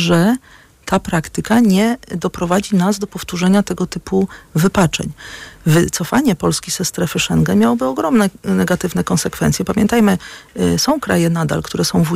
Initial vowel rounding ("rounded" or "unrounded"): unrounded